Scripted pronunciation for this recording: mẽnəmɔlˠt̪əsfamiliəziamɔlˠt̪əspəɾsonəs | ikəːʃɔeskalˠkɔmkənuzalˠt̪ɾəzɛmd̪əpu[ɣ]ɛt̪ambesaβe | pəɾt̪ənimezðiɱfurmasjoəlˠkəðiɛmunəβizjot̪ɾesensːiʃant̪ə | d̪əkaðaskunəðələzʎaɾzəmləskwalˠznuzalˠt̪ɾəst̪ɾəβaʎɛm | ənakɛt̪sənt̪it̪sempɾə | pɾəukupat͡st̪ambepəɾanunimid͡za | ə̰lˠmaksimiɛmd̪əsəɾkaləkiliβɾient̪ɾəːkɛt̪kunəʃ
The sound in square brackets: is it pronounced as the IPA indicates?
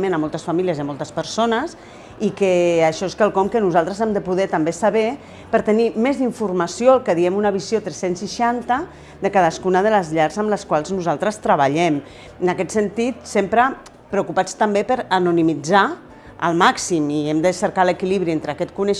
no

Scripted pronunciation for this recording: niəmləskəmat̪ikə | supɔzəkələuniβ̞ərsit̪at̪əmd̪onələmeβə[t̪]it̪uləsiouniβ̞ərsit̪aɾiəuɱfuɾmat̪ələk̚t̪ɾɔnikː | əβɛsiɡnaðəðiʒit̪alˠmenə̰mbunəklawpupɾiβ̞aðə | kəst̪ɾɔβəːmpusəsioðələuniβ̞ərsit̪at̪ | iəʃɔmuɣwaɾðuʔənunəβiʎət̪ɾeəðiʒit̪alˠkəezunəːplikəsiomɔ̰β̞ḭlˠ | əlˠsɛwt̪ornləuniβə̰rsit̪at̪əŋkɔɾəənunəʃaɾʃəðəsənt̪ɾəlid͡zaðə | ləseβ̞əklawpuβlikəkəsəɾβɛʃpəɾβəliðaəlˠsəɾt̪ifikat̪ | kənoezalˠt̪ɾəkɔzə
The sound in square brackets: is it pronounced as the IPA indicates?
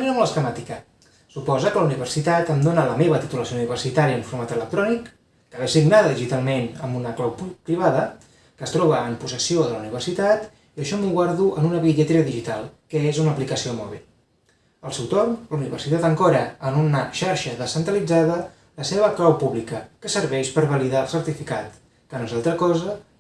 yes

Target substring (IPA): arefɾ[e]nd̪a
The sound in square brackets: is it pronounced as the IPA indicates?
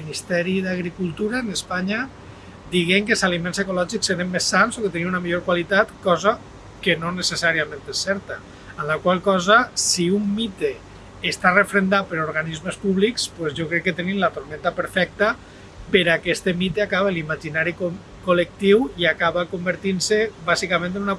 yes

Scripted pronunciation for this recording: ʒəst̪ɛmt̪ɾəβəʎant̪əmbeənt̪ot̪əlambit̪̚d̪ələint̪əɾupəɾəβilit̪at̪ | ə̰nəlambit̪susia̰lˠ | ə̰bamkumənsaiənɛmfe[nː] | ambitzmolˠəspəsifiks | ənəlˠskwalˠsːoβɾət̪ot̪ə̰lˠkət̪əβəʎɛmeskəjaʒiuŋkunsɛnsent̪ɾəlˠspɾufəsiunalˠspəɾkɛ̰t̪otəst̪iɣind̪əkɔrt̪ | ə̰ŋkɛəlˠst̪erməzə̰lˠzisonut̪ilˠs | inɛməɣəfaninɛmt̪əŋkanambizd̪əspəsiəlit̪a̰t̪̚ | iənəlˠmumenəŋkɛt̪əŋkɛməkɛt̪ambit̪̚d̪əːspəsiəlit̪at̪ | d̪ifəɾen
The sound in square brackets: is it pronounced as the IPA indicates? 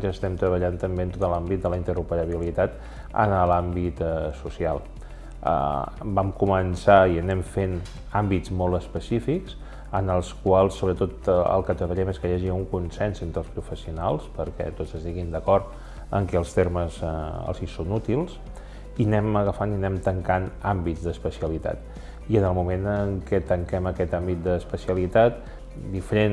no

